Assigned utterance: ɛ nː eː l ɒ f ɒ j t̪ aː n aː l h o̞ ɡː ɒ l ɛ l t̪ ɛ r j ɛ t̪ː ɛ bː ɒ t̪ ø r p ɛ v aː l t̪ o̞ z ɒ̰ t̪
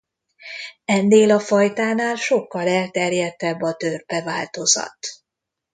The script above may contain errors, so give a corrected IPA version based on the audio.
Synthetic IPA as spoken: ɛ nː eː l ɒ f ɒ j t̪ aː n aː l ʃ o̞ kː ɒ l ɛ l t̪ ɛ r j ɛ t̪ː ɛ bː ɒ t̪ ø r p ɛ v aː l t̪ o̞ z ɒ̰ t̪